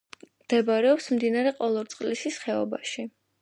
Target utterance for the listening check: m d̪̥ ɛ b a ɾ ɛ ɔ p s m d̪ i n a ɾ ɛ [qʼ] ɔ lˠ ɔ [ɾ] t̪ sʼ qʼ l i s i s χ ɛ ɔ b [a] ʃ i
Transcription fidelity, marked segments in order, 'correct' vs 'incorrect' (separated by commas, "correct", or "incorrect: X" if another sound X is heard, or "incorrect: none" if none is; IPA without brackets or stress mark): correct, correct, correct